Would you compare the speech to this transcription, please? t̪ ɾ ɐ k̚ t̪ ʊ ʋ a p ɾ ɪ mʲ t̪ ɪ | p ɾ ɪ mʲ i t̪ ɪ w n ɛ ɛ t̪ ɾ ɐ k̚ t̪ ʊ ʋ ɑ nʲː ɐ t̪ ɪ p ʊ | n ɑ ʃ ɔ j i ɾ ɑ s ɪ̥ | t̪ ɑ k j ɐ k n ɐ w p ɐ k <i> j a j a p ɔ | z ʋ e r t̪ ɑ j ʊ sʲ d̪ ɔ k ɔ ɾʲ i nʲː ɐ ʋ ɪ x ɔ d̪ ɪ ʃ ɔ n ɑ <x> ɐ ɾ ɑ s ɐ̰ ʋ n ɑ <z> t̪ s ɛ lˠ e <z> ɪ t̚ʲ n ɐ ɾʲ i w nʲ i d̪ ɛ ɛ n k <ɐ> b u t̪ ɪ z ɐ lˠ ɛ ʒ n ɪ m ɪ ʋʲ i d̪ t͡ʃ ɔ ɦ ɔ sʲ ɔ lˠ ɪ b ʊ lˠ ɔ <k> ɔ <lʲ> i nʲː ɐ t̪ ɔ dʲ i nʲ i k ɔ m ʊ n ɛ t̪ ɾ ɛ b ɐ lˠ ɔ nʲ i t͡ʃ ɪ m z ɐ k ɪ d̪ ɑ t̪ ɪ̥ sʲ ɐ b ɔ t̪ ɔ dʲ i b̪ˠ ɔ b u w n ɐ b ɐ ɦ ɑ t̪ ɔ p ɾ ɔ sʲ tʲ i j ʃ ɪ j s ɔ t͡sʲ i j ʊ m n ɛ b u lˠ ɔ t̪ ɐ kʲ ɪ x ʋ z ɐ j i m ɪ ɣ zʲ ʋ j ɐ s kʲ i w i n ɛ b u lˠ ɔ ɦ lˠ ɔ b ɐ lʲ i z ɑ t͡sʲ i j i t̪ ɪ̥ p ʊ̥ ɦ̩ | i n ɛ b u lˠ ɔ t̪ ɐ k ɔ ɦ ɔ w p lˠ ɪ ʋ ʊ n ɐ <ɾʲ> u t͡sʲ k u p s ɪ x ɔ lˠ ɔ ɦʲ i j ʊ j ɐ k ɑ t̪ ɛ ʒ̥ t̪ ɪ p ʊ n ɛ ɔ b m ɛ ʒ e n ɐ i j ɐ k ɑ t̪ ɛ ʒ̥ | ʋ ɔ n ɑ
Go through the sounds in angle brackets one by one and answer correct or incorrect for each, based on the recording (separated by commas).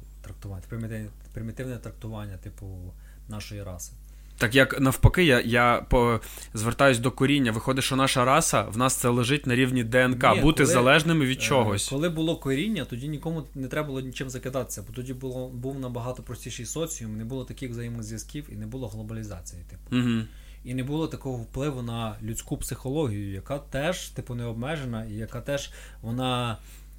incorrect, incorrect, incorrect, incorrect, incorrect, correct, incorrect, incorrect